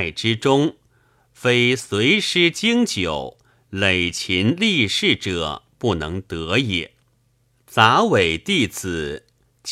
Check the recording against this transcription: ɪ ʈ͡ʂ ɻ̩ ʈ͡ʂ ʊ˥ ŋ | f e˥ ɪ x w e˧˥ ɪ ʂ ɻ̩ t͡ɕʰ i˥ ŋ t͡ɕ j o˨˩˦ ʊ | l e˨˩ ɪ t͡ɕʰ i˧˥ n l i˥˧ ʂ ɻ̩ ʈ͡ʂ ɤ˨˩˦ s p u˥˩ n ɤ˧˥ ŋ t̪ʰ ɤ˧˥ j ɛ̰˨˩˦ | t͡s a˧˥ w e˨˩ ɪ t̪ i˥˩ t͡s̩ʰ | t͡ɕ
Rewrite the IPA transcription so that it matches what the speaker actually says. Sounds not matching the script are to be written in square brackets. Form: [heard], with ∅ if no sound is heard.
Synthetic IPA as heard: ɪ ʈ͡ʂ ɻ̩ ʈ͡ʂ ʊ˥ ŋ | f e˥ ɪ [s] w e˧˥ ɪ ʂ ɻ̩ [t͡ɕ] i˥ ŋ t͡ɕ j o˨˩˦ ʊ | l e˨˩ ɪ t͡ɕʰ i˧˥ n l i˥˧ ʂ ɻ̩ ʈ͡ʂ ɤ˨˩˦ [∅] p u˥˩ n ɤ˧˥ ŋ [t̪] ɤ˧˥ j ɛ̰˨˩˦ | t͡s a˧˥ w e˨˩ ɪ t̪ i˥˩ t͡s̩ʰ | t͡ɕ